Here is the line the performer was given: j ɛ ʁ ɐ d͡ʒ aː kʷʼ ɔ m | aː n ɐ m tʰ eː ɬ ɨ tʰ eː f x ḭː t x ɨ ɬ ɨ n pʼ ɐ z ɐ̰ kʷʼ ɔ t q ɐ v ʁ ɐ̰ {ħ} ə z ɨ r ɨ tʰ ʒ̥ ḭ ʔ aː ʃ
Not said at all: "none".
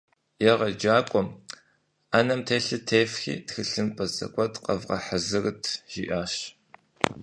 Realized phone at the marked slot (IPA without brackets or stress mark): ħ